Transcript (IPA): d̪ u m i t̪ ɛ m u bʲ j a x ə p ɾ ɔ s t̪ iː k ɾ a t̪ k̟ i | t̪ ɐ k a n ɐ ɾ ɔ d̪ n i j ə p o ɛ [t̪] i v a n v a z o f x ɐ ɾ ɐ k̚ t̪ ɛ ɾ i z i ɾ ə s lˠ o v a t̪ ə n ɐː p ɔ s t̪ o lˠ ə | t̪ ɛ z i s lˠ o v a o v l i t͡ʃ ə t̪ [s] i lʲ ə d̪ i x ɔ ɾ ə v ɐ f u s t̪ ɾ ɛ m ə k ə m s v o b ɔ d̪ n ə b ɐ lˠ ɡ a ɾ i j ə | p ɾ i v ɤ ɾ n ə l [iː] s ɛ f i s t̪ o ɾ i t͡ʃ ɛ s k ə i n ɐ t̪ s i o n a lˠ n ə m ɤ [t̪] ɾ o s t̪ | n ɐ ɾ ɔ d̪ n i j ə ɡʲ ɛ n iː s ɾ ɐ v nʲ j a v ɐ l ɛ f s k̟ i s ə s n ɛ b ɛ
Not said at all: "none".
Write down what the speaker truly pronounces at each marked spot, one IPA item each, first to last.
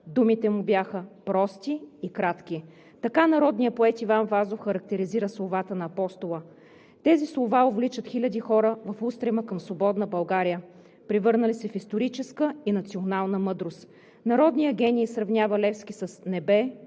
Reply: t̪, x, i, d̪

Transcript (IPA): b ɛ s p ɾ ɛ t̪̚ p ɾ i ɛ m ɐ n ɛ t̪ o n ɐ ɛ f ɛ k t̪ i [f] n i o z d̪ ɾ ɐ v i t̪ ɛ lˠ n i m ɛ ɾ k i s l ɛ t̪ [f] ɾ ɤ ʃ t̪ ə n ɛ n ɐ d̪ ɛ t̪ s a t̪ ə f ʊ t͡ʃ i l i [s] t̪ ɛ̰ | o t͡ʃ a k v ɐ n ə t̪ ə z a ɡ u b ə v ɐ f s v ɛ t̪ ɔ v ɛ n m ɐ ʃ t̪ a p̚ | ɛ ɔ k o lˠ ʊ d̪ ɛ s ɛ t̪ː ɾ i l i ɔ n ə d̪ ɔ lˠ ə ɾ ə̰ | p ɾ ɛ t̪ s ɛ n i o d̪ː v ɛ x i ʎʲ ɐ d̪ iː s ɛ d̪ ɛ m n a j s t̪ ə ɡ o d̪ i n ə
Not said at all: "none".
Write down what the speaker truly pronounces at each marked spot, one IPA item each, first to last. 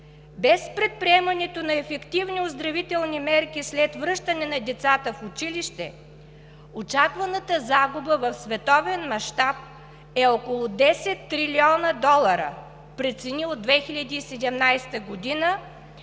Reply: v, v, ʃ

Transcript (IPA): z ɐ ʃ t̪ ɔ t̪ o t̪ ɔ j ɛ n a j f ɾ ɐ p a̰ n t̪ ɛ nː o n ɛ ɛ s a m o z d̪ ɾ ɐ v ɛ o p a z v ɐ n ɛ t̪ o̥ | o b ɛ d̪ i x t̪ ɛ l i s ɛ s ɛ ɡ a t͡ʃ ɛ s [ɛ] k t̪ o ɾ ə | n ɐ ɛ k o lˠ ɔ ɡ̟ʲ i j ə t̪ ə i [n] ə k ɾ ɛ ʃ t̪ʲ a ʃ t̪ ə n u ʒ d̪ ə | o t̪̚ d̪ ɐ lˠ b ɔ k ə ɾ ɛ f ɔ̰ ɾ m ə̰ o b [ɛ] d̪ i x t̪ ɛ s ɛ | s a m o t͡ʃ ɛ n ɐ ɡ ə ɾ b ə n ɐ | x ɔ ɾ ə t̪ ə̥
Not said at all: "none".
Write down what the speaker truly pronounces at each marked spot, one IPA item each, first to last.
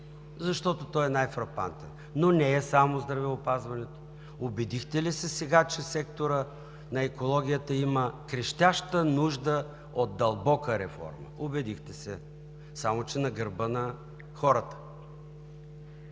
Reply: ɛ, m, ɛ

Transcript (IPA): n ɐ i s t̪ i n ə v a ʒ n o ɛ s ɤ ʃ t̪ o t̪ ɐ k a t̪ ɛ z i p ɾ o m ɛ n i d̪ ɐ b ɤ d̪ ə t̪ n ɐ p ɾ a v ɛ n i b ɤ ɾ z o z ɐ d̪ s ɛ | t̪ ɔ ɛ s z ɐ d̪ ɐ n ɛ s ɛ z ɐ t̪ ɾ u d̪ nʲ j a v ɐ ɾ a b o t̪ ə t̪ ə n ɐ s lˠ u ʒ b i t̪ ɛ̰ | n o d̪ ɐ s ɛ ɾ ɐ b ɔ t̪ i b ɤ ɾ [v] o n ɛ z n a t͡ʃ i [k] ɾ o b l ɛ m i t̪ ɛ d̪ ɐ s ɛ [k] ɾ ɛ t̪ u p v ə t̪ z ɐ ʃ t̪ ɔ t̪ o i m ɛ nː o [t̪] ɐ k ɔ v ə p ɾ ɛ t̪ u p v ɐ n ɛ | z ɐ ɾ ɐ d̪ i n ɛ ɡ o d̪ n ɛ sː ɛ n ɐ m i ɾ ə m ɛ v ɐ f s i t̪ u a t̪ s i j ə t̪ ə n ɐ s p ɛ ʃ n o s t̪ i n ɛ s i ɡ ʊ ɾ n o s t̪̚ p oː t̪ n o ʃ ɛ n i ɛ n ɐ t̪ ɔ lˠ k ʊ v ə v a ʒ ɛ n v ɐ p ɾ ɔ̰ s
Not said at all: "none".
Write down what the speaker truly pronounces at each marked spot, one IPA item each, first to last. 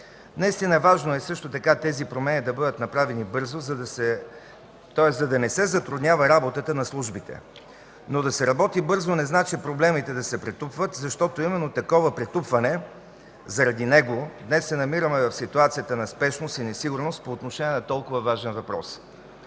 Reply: z, p, p, t̪

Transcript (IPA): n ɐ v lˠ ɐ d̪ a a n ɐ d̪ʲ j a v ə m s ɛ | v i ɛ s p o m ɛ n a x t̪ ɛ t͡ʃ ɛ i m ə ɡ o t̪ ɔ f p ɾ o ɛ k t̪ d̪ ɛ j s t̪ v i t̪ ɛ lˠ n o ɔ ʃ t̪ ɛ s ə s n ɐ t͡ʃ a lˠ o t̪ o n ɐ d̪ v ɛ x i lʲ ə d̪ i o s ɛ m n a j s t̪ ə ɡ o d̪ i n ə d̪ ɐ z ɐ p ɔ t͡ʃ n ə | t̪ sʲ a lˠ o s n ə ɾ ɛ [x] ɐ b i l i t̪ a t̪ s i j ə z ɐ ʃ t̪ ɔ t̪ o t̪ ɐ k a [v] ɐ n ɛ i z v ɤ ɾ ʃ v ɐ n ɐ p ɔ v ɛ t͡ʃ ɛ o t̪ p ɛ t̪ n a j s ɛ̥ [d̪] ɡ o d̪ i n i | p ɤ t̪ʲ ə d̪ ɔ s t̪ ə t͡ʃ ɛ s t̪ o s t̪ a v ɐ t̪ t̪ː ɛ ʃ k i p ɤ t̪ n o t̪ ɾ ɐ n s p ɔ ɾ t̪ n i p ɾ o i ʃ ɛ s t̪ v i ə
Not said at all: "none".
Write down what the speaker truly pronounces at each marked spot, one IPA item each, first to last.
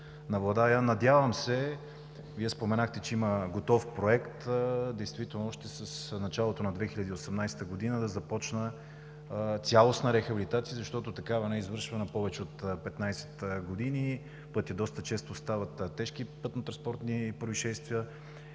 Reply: x, v, t̪

